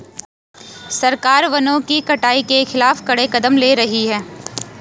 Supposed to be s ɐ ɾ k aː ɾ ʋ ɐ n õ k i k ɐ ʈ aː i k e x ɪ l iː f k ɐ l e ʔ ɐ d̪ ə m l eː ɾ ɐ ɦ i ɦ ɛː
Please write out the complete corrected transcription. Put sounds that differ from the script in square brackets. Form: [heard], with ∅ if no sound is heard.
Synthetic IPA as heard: s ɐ ɾ k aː ɾ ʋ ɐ n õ k i k ɐ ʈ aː i k e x ɪ l [aː] f k ɐ [ɽ] e [k] ɐ d̪ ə m l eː ɾ ɐ ɦ i ɦ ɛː